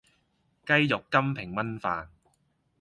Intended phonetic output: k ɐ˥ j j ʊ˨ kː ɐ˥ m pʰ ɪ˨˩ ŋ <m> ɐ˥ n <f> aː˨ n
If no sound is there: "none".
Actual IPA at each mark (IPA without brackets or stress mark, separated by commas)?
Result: m, f